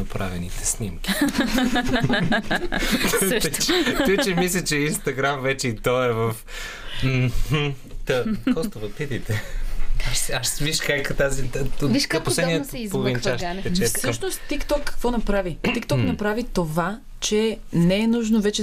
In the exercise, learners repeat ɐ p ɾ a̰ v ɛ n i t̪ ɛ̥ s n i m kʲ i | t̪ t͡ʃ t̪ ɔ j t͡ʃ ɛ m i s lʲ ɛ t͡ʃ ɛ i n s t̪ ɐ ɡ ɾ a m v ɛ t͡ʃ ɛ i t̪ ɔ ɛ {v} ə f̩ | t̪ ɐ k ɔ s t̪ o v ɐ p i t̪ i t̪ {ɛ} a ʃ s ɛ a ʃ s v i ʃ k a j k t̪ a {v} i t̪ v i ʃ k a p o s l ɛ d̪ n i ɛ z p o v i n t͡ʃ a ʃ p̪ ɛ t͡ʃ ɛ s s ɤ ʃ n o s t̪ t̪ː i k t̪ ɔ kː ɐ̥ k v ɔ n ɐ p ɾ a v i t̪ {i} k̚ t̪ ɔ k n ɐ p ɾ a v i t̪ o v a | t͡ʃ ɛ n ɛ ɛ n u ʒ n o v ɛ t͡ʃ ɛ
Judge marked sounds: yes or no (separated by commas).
yes, yes, no, yes